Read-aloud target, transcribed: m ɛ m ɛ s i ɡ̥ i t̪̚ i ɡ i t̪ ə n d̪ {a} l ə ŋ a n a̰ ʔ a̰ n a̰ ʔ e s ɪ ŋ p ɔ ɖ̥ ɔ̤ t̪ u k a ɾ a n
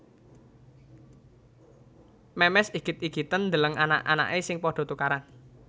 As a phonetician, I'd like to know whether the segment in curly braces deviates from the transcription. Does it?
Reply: yes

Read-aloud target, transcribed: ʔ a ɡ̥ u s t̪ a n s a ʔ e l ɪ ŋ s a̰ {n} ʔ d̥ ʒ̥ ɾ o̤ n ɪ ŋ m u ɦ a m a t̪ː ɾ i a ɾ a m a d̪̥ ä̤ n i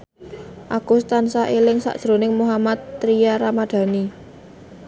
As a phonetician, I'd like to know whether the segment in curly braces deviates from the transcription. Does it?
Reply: yes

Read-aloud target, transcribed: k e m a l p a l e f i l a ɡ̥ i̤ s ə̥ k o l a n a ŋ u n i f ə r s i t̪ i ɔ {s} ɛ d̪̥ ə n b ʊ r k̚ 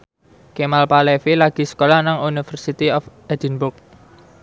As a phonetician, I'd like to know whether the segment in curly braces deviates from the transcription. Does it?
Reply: yes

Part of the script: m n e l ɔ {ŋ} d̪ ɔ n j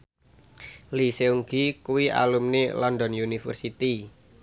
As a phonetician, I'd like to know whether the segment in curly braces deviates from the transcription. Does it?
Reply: yes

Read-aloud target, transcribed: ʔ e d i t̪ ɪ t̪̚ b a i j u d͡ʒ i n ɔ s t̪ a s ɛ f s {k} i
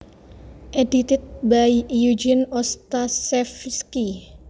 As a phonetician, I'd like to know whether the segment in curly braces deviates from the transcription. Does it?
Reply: no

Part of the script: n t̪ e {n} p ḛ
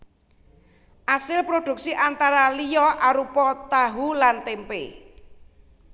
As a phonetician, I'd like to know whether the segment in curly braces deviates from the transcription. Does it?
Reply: yes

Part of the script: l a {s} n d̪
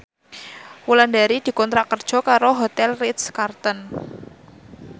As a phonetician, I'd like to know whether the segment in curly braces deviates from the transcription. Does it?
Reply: yes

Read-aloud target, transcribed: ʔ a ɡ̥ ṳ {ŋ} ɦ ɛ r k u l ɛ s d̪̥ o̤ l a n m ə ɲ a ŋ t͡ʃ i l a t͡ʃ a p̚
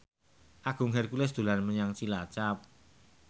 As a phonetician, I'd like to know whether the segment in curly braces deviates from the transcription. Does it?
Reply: no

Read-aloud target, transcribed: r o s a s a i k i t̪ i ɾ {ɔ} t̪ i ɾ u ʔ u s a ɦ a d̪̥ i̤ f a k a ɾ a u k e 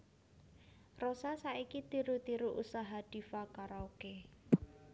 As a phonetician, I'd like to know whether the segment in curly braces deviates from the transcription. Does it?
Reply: yes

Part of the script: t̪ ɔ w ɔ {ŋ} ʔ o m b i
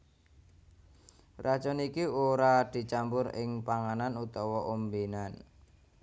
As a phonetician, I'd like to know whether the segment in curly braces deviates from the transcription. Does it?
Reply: yes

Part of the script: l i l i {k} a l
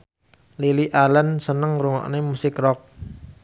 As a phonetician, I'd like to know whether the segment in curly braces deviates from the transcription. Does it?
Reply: yes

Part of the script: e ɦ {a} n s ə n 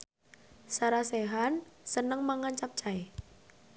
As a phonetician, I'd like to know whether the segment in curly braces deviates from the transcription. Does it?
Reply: no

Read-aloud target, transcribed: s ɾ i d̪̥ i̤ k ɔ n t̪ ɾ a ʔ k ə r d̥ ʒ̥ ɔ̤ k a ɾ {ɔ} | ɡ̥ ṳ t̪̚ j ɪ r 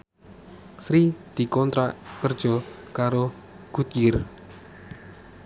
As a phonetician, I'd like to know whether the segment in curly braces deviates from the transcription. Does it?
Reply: yes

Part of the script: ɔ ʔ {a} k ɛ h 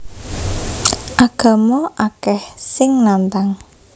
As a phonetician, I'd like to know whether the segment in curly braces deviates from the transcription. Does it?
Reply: no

